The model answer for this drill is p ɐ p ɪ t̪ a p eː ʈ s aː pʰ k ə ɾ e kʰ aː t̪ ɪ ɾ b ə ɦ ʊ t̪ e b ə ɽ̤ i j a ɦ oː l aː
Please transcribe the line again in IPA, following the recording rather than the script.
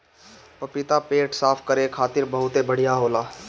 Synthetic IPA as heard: p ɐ p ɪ t̪ a p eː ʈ s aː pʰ k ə ɾ e kʰ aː t̪ ɪ ɾ b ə ɦ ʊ t̪ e b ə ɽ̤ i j a ɦ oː l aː